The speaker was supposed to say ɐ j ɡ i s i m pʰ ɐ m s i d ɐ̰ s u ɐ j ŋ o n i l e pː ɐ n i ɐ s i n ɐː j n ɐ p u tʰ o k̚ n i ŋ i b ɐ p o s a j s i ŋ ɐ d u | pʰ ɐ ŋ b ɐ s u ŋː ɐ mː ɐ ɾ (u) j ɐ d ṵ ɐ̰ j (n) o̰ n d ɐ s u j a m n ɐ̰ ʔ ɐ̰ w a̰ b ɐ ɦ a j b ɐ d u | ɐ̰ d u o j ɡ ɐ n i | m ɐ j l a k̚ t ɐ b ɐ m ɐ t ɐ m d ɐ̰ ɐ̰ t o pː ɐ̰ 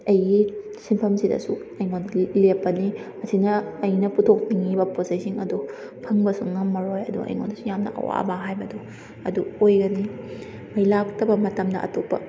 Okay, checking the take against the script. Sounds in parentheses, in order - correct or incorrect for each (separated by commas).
incorrect, incorrect